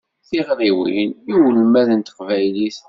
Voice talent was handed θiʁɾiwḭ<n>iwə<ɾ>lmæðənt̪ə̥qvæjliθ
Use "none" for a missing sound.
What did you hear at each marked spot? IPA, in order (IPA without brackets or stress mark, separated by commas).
n, none